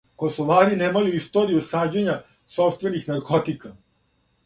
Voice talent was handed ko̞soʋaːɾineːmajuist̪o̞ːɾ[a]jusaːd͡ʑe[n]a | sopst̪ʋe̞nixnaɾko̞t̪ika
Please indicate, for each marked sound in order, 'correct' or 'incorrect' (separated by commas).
incorrect, incorrect